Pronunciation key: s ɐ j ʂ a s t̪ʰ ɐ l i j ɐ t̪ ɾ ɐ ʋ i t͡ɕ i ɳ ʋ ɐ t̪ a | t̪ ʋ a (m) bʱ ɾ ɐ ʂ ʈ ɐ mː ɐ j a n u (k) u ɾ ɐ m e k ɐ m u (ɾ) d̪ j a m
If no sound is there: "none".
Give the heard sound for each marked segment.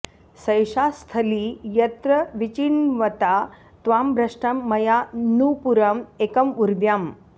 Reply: m, p, ɾ

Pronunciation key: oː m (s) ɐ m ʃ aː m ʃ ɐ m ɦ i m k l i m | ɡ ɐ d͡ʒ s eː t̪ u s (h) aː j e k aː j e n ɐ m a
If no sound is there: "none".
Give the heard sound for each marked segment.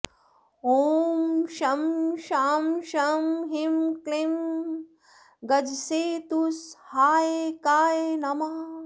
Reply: ʃ, h

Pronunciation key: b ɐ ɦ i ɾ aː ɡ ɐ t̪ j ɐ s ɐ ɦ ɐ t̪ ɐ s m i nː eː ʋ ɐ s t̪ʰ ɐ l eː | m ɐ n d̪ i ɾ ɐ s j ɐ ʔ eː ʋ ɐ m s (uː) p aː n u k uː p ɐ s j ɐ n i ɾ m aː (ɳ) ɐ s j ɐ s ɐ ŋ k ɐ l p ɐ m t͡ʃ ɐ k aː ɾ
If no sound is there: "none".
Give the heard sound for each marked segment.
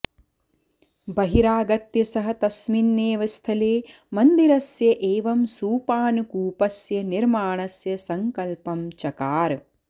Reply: uː, ɳ

